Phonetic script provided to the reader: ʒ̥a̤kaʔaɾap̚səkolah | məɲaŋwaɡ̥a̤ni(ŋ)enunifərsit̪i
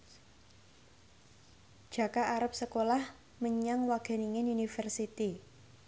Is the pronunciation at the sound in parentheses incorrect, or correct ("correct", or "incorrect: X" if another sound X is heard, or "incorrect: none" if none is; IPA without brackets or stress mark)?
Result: correct